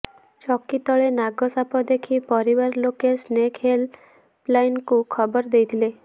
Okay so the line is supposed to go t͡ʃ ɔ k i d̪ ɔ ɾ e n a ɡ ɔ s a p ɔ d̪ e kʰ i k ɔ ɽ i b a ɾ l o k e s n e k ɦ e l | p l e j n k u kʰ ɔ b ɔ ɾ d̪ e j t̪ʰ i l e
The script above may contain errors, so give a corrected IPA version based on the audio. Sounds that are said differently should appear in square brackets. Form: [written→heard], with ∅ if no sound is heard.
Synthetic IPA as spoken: t͡ʃ ɔ k i [d̪→t̪] ɔ [ɾ→ɭ] e n a ɡ ɔ s a p ɔ d̪ e kʰ i [k→p] ɔ [ɽ→ɾ] i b a ɾ l o k e s n e k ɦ e l | p l [e→a] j n k u kʰ ɔ b ɔ ɾ d̪ e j t̪ʰ i l e